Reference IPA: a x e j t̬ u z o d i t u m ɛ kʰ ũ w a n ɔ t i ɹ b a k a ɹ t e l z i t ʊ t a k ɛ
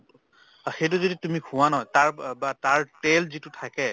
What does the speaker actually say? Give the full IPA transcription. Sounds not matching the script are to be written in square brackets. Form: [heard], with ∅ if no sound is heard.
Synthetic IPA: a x e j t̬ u z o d i t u m [i] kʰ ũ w a n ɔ t [a] ɹ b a [t] a ɹ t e l z i t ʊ [tʰ] a k ɛ